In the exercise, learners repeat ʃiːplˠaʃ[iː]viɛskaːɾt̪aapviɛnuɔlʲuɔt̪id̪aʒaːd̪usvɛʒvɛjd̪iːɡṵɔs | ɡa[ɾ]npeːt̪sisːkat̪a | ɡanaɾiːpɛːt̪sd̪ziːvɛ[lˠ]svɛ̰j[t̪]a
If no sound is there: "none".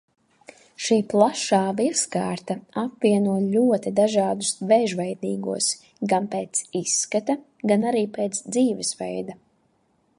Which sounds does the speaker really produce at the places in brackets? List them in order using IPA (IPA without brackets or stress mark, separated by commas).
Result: aː, none, none, d̪